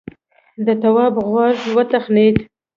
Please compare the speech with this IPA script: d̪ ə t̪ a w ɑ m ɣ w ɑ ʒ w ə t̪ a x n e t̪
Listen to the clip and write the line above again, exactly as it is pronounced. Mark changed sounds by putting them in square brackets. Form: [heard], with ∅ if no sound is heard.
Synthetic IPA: d̪ ə t̪ a w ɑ [b] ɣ w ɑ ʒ w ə t̪ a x n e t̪